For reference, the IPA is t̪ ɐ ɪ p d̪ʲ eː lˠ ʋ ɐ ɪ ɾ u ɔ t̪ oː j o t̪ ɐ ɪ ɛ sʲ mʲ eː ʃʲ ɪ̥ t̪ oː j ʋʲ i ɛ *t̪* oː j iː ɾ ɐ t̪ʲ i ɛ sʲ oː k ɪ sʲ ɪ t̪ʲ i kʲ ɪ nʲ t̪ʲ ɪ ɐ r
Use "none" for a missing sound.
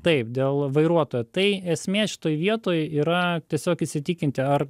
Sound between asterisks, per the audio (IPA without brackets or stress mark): t̪